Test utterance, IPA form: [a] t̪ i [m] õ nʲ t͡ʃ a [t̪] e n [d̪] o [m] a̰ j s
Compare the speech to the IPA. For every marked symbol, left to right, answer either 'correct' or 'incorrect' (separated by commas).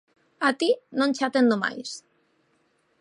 correct, incorrect, correct, correct, correct